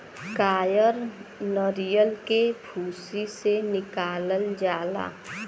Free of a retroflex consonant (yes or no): yes